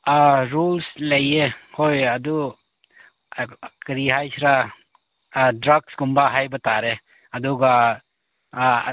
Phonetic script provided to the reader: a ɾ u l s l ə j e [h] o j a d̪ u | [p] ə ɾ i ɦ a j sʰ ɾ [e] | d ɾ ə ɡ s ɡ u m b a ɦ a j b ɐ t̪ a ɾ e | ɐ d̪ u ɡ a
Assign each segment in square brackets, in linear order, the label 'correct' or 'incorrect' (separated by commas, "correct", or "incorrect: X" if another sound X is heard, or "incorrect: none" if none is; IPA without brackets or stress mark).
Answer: correct, incorrect: k, incorrect: a